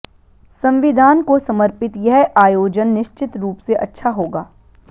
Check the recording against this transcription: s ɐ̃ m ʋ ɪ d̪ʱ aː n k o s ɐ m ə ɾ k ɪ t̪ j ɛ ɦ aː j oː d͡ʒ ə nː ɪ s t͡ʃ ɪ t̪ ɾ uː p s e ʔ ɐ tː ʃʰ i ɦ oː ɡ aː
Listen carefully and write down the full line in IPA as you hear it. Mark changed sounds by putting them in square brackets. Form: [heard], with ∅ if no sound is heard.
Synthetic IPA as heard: s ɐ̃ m ʋ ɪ d̪ʱ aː n k o s ɐ m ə ɾ [p] ɪ t̪ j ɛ ɦ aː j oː d͡ʒ ə nː ɪ [ʃ] t͡ʃ ɪ t̪ ɾ uː p s e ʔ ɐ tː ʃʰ [a] ɦ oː ɡ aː